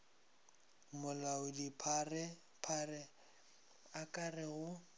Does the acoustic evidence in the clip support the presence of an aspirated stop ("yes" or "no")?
yes